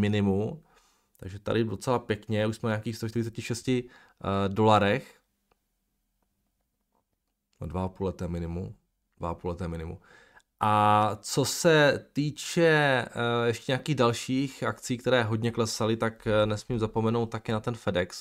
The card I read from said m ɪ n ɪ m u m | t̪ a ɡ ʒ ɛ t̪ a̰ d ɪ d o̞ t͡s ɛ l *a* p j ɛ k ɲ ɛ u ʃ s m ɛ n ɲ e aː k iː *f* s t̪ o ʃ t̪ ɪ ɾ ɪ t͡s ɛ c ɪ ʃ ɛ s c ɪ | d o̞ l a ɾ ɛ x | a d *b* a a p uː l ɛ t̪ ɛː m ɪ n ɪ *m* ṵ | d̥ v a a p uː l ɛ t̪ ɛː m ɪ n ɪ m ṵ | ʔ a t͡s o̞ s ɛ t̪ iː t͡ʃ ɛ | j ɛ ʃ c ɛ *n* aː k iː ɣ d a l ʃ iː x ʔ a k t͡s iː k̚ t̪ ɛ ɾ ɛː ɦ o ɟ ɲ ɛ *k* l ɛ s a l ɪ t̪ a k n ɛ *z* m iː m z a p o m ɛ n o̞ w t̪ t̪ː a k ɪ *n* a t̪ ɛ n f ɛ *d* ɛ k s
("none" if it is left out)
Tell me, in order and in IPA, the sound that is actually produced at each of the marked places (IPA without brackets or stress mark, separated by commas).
a, x, v, m, ɲ, k, s, n, d